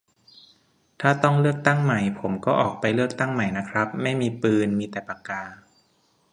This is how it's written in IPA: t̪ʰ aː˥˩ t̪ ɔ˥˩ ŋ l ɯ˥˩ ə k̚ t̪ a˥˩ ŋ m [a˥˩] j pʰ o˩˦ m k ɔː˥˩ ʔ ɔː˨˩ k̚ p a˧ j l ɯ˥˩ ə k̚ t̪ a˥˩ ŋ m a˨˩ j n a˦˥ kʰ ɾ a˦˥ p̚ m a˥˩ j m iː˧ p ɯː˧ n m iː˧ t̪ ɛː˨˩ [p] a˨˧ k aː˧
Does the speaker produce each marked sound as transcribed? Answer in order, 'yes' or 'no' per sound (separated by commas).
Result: no, yes